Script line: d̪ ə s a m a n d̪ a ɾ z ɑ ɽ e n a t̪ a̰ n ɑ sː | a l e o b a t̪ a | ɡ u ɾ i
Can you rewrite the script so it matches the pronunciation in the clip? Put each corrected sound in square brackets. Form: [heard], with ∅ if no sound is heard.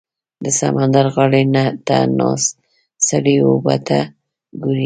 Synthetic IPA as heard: d̪ ə s a m a n d̪ a ɾ [ɣ] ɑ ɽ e n a t̪ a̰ n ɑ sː | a [ɽ] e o b a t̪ a | ɡ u ɾ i